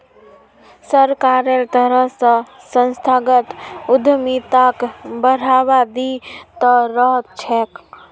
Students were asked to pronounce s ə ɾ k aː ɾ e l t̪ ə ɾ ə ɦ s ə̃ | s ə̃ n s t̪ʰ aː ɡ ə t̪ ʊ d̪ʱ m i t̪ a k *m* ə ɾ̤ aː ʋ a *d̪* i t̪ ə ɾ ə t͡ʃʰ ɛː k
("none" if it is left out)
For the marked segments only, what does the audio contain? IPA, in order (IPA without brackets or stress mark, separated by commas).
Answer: b, d̪